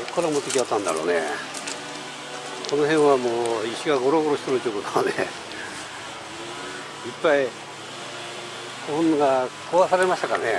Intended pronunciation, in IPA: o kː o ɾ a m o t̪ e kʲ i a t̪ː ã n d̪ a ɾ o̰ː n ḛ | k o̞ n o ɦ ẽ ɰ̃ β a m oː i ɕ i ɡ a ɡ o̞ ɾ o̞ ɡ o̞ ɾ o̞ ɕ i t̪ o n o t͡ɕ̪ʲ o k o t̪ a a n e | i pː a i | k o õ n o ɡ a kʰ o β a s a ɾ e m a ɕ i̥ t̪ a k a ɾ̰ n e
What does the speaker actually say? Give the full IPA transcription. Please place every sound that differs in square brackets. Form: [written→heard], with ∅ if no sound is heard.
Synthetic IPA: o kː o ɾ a m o t̪ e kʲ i a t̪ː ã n d̪ a ɾ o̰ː n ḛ | k o̞ n o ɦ ẽ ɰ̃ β a m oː i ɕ i ɡ a ɡ o̞ ɾ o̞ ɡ o̞ ɾ o̞ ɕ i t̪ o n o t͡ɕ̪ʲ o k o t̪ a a n e | i pː a i | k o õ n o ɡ a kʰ o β a s a ɾ e m a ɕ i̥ t̪ a k a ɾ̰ n e